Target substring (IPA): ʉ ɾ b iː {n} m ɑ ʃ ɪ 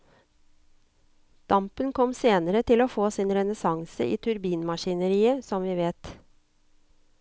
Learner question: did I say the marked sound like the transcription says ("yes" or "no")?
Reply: yes